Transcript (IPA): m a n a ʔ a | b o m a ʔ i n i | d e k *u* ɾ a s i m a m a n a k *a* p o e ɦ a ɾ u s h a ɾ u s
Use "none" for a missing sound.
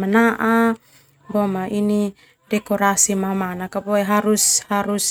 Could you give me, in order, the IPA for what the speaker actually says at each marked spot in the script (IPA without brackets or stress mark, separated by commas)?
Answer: o, a